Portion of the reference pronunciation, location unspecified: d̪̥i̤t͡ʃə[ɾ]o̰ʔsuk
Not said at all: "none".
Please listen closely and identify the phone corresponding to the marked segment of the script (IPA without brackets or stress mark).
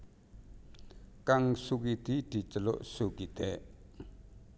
l